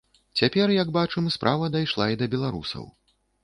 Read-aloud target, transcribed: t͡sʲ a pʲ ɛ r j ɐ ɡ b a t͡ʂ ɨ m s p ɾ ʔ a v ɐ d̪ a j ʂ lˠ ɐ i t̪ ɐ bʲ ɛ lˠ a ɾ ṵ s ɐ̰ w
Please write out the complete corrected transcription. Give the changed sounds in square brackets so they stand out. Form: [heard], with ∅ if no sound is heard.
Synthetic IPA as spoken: t͡sʲ a pʲ ɛ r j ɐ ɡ b a t͡ʂ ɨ m s p ɾ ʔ a v ɐ d̪ a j ʂ lˠ [a] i [d̪] ɐ bʲ ɛ lˠ a ɾ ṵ s ɐ̰ w